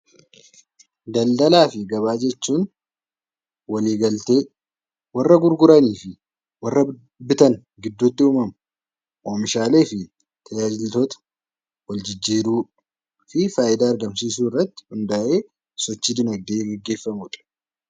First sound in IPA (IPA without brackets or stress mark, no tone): d̪